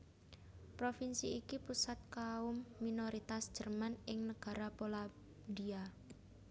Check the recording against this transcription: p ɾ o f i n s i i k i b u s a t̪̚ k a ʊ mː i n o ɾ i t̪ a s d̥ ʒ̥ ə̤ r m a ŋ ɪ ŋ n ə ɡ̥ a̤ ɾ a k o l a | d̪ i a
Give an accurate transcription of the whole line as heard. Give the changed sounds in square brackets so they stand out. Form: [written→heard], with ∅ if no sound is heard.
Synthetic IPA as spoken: p ɾ o f i n s i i k i [b→p] u s a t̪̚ k a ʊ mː i n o ɾ i t̪ a s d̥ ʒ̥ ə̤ r m a [ŋ→n] ɪ ŋ n ə ɡ̥ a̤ ɾ a [k→p] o l a | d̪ i a